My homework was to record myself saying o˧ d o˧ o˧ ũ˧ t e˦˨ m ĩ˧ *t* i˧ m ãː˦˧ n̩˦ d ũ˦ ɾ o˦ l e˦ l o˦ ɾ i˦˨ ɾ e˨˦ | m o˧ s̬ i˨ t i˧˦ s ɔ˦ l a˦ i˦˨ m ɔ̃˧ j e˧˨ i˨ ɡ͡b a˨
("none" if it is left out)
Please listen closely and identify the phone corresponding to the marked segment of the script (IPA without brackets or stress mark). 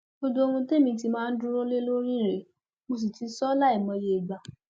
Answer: t